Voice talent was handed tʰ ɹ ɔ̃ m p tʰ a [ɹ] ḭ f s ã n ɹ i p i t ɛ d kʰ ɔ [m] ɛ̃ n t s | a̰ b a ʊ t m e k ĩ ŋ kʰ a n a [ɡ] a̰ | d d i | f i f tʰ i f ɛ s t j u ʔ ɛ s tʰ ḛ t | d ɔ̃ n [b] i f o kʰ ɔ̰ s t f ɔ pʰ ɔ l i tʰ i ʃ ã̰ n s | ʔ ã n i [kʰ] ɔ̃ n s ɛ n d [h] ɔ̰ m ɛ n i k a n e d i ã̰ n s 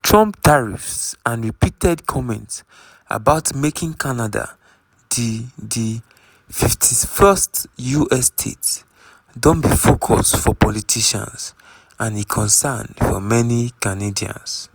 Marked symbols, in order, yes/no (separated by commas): yes, yes, no, yes, yes, no